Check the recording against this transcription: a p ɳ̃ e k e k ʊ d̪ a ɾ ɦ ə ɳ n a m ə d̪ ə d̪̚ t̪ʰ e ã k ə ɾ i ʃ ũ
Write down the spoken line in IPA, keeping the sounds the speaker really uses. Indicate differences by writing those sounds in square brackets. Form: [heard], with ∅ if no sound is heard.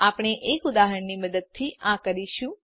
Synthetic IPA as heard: a p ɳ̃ e [ʔ] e k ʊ d̪ a [∅] ɦ ə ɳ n [i] m ə d̪ ə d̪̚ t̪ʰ [i] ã k ə ɾ i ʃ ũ